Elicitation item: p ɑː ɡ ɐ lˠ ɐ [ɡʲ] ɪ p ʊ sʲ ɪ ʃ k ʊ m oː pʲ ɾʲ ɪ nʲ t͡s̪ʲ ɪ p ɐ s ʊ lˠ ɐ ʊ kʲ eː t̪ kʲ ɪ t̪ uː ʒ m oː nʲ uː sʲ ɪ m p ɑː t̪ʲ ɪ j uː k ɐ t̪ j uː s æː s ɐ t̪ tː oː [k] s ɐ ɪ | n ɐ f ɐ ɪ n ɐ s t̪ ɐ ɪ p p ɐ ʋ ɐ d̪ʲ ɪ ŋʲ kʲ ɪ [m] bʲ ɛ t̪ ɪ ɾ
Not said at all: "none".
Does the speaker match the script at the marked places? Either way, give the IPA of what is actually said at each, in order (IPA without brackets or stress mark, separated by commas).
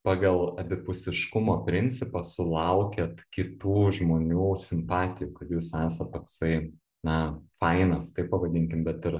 bʲ, k, m